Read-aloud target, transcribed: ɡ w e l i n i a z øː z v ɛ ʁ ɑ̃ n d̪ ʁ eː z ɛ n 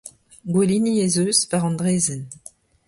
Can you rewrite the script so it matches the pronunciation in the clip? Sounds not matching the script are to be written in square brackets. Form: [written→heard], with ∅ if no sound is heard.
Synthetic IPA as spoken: ɡ w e l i n i [a→e] z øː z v [ɛ→a] ʁ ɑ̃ n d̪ ʁ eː z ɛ n